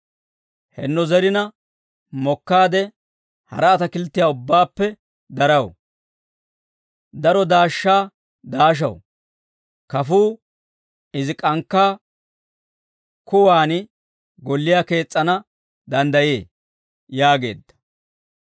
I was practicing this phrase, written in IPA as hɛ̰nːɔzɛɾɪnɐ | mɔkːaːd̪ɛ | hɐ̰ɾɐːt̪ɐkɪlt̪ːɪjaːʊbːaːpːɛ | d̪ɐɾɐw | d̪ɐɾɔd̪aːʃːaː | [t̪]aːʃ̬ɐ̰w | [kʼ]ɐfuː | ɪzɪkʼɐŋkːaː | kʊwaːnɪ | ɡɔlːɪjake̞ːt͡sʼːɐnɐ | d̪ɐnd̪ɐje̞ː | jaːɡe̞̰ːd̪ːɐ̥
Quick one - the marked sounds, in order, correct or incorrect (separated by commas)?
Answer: incorrect, incorrect